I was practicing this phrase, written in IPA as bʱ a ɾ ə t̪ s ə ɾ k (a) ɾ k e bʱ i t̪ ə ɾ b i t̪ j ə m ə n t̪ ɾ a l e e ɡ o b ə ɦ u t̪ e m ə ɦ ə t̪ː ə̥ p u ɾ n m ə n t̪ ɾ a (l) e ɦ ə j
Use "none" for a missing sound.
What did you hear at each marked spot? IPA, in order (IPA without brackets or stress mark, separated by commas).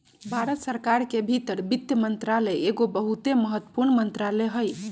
a, l